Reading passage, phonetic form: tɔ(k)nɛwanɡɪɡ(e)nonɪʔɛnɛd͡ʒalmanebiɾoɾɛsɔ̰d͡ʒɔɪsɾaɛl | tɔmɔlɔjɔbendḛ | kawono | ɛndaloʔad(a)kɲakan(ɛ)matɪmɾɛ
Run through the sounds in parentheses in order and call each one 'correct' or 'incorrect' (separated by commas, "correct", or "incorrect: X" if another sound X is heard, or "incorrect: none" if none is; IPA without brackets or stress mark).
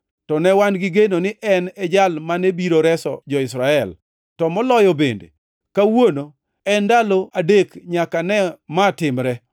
incorrect: none, correct, incorrect: e, correct